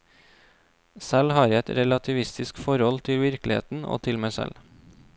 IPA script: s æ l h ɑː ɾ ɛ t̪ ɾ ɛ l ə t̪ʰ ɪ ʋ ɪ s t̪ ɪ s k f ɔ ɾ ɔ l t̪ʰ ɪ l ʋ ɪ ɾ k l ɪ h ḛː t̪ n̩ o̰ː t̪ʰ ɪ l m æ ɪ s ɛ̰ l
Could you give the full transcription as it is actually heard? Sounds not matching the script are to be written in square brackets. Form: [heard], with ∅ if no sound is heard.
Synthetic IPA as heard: s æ l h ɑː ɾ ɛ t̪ ɾ ɛ l [ɑ] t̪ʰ ɪ ʋ ɪ s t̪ ɪ s k f ɔ ɾ ɔ l t̪ʰ ɪ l ʋ ɪ ɾ k l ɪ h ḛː t̪ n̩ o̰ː t̪ʰ ɪ l m æ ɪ s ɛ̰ l